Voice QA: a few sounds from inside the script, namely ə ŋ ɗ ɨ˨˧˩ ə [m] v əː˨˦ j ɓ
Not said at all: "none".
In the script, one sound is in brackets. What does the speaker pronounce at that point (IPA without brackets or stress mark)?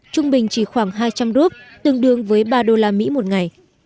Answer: ŋ